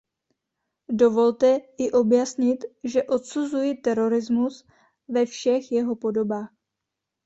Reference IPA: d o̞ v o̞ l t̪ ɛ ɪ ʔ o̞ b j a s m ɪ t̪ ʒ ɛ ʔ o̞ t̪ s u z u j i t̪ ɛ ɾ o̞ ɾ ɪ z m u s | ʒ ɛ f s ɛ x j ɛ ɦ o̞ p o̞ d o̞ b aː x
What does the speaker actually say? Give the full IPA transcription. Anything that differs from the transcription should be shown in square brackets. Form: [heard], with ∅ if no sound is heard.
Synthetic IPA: d o̞ v o̞ l t̪ ɛ ɪ ʔ o̞ b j a s [ɲ] ɪ t̪ ʒ ɛ ʔ o̞ t̪ s u z u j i t̪ ɛ ɾ o̞ ɾ ɪ z m u s | [v] ɛ f [ʃ] ɛ x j ɛ ɦ o̞ p o̞ d o̞ b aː x

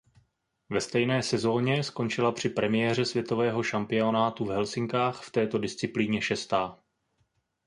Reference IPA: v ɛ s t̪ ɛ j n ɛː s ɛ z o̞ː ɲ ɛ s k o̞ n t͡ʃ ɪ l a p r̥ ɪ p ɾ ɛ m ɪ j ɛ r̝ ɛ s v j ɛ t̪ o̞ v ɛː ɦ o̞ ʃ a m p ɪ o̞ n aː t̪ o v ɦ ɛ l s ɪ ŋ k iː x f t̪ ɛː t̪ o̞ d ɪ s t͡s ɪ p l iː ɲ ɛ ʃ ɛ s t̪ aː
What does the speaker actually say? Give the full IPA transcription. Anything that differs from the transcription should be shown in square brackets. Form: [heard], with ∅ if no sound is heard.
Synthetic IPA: v ɛ s t̪ ɛ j n ɛː s ɛ z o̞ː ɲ ɛ s k o̞ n t͡ʃ ɪ l a p r̥ ɪ p ɾ ɛ m ɪ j ɛ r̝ ɛ s v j ɛ t̪ o̞ v ɛː ɦ o̞ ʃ a m p ɪ o̞ n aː t̪ [u] v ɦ ɛ l s ɪ ŋ k [aː] x f t̪ ɛː t̪ o̞ d ɪ s t͡s ɪ p l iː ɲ ɛ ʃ ɛ s t̪ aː

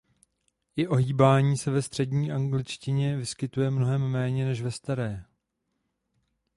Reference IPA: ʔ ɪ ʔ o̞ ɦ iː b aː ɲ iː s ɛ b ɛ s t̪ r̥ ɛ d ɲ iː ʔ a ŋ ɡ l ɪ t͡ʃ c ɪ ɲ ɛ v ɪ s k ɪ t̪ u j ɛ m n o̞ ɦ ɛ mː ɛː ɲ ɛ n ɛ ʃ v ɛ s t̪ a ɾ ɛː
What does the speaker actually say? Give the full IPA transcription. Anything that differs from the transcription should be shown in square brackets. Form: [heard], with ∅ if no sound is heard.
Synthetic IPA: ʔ ɪ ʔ o̞ ɦ iː b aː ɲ iː s ɛ [v] ɛ s t̪ r̥ ɛ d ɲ iː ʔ a ŋ ɡ l ɪ t͡ʃ c ɪ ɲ ɛ v ɪ s k ɪ t̪ u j ɛ m n o̞ ɦ ɛ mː ɛː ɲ ɛ n ɛ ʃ v ɛ s t̪ a ɾ ɛː

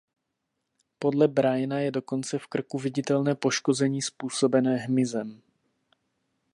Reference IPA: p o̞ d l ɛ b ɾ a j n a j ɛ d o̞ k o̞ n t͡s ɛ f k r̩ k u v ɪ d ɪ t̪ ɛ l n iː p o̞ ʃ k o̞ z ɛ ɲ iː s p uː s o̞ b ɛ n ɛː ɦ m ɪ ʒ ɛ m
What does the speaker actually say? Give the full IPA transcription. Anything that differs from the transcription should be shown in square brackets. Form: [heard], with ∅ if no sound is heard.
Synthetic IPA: p o̞ d l ɛ b ɾ a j n a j ɛ d o̞ k o̞ n t͡s ɛ f k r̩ k u v ɪ [ɟ] ɪ t̪ ɛ l n [ɛː] p o̞ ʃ k o̞ z ɛ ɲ iː s p uː s o̞ b ɛ n ɛː ɦ m ɪ [z] ɛ m

